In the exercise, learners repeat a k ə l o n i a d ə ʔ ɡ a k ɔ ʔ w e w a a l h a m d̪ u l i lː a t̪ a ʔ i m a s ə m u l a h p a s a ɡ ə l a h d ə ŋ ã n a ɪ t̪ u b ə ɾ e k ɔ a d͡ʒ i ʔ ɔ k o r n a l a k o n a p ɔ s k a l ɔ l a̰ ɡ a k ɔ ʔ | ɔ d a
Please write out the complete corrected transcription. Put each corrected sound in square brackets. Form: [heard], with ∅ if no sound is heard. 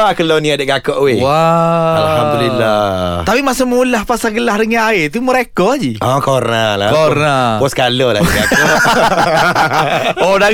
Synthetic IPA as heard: a k ə l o n i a d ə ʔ ɡ a k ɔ ʔ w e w a a l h a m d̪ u l i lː a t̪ a [p] i m a s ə m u l a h p a s a ɡ ə l a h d ə ŋ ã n a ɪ t̪ u [m] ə ɾ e k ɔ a d͡ʒ i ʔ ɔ k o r n a l a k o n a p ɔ s k a l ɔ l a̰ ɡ a k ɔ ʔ | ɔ d a